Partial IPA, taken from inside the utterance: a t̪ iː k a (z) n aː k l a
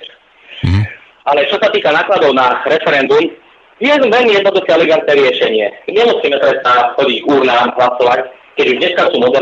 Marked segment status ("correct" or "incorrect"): incorrect